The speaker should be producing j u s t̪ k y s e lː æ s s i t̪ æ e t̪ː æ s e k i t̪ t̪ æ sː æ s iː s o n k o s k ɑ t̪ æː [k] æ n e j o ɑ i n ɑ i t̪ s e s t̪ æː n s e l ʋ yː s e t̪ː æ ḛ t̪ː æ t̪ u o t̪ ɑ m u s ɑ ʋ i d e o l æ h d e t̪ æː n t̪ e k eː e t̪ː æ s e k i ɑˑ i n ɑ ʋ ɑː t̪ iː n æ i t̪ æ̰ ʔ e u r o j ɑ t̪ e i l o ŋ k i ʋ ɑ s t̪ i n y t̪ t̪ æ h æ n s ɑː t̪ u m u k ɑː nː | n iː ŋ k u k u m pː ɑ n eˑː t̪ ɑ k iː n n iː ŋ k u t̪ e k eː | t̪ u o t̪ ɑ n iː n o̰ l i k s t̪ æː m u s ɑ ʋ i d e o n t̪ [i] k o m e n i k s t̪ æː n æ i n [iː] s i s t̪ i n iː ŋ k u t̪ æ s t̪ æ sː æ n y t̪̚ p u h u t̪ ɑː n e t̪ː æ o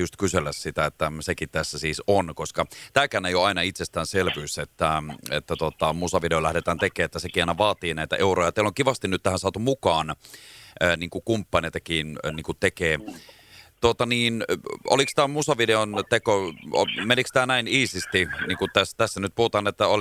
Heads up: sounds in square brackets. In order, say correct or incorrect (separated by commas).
correct, incorrect, correct